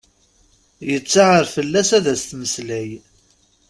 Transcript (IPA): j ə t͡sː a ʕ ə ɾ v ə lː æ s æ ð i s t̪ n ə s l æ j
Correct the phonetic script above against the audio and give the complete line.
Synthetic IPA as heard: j ə t͡sː a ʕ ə ɾ f ə lː æ s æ ð æ s t̪ m ə s l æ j